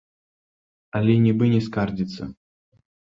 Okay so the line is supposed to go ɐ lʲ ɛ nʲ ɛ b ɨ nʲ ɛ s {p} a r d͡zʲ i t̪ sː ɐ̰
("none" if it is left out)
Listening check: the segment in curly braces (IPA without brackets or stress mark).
k